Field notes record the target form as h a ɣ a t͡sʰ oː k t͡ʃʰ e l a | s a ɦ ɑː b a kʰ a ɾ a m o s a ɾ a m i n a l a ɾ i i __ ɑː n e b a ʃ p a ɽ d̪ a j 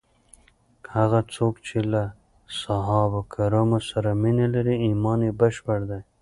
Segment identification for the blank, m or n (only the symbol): m